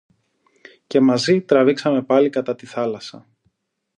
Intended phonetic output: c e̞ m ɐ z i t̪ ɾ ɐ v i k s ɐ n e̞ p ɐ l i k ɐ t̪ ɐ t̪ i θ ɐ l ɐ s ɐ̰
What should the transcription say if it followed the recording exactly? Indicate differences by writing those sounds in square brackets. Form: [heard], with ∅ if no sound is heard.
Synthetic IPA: c e̞ m ɐ z i t̪ ɾ ɐ v i k s ɐ [m] e̞ p ɐ l i k ɐ t̪ ɐ t̪ i θ ɐ l ɐ s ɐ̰